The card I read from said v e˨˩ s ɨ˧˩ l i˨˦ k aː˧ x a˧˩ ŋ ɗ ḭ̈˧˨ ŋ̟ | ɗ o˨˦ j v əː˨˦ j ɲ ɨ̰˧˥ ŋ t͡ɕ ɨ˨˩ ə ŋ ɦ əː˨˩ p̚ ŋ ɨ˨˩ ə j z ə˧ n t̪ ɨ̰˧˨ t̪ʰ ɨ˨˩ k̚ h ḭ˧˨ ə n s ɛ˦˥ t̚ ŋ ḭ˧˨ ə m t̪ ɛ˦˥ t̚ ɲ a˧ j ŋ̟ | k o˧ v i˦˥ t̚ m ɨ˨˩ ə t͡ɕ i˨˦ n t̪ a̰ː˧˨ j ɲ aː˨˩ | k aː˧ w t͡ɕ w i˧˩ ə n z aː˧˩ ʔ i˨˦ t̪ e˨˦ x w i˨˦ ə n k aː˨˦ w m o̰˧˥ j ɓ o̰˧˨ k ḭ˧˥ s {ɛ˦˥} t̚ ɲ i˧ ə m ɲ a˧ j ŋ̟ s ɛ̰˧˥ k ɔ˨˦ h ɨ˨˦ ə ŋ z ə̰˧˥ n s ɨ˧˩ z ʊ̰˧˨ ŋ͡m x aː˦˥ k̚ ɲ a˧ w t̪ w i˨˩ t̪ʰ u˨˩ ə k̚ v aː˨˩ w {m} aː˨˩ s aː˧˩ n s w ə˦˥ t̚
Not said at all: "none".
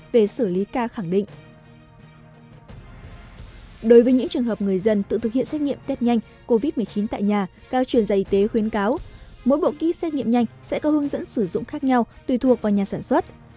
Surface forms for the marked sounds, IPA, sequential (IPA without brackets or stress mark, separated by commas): ɛ˦˥, ɲ